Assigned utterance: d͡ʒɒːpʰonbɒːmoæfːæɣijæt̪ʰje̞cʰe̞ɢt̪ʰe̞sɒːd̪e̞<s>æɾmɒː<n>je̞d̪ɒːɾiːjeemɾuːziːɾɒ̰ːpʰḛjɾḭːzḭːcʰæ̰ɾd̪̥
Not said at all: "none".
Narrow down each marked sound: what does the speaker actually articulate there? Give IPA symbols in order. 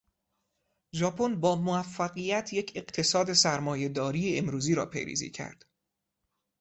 s, none

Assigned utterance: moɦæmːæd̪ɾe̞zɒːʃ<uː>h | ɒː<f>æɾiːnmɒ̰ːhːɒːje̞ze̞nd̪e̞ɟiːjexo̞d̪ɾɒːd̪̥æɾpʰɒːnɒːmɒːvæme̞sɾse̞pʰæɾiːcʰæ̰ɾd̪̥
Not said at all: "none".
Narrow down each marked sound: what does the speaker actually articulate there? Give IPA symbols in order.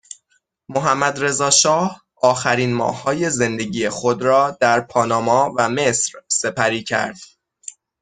ɒː, x

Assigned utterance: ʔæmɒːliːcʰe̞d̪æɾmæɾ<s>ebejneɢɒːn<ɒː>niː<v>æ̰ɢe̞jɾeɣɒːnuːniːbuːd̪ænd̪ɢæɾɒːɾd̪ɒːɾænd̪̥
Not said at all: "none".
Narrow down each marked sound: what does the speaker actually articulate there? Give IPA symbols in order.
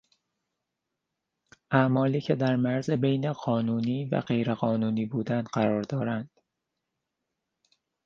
z, uː, v

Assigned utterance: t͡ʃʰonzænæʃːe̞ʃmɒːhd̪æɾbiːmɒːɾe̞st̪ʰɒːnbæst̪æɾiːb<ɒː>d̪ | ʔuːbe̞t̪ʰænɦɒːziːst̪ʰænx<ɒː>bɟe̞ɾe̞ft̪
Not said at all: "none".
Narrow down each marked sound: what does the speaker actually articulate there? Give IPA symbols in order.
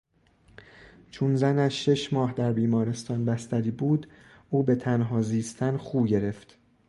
uː, uː

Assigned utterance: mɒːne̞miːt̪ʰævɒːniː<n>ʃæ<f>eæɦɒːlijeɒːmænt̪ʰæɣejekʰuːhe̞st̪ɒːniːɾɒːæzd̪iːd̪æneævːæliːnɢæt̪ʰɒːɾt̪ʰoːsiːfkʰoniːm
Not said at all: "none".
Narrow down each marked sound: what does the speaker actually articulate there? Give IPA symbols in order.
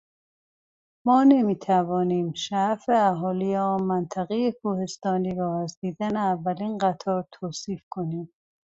m, f

